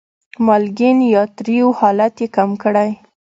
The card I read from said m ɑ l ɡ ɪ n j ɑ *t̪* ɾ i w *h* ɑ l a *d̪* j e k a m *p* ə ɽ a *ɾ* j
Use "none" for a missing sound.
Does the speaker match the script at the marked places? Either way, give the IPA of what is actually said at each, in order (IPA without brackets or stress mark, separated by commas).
t̪, h, t̪, k, none